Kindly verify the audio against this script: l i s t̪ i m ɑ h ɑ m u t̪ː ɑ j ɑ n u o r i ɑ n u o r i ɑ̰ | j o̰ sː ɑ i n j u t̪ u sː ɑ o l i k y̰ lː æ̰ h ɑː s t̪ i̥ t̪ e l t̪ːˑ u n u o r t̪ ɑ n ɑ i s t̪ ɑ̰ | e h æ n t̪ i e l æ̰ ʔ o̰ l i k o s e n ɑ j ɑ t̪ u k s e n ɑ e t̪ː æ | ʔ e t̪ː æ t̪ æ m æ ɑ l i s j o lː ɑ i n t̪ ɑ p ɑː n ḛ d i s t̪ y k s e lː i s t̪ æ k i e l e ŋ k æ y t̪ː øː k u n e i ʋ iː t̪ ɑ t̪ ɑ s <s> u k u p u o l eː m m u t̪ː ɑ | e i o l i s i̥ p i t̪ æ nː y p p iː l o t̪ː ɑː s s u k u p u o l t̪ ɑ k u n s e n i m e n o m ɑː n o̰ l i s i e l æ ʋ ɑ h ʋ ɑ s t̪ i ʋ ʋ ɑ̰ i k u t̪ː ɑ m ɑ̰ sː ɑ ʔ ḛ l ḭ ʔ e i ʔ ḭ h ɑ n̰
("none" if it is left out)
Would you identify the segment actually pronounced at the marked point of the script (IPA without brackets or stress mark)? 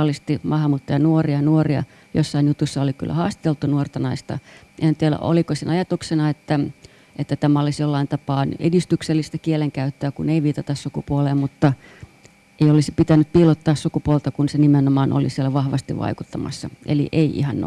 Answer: s